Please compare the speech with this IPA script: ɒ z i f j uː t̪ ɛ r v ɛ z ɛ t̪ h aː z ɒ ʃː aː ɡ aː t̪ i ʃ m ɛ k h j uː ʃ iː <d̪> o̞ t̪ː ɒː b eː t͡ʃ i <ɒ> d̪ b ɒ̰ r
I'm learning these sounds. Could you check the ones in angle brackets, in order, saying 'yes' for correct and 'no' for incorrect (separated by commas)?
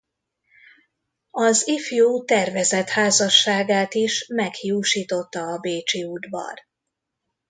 no, no